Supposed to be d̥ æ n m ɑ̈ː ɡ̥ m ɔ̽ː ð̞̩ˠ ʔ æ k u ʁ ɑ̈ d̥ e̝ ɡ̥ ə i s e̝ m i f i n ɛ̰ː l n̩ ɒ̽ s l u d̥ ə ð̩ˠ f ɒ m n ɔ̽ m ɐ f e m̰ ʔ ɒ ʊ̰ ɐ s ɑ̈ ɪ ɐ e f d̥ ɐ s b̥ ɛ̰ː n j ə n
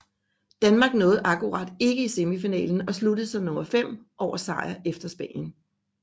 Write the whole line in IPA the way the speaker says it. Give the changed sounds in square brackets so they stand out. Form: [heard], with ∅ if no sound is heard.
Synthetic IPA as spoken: d̥ æ n m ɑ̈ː ɡ̥ [n] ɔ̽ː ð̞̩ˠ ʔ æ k u ʁ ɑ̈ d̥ e̝ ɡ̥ ə i s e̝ m i f i n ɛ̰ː l n̩ ɒ̽ s l u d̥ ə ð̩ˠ [s] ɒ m n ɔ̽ m ɐ f e m̰ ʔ ɒ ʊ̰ ɐ s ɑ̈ ɪ ɐ e f d̥ ɐ s b̥ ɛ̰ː n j ə n